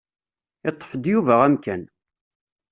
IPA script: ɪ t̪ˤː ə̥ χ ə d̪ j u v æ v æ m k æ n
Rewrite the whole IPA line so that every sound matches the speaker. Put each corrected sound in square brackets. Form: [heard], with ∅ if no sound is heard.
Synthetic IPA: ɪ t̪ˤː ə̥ [f] ə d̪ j u v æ [ʁ] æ m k æ n